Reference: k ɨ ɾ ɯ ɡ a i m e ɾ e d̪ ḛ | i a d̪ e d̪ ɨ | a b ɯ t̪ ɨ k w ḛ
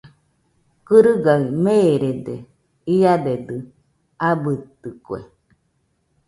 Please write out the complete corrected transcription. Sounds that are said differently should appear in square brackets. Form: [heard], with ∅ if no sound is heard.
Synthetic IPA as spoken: k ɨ ɾ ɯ ɡ a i m e ɾ e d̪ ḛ | i a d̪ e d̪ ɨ | a b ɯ t̪ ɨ k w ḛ